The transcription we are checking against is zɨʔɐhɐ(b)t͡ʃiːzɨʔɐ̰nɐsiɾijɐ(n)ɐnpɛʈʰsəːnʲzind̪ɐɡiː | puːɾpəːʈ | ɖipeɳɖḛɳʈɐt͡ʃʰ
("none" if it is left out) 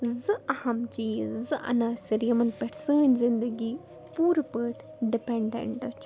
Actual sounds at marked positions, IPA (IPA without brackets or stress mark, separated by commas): m, m